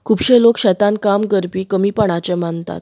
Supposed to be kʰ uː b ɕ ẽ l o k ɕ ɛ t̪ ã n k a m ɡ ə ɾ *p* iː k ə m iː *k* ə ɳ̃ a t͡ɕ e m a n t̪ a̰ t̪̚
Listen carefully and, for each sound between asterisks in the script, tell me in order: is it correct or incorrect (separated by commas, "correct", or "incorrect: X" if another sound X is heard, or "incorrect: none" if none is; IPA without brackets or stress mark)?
correct, incorrect: p